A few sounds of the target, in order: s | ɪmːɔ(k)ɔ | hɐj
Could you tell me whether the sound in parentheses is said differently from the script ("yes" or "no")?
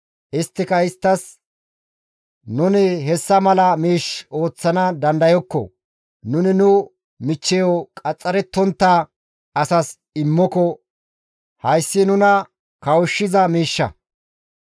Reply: no